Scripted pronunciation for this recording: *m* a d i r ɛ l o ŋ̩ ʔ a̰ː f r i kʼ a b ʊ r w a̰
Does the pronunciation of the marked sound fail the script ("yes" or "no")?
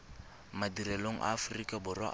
no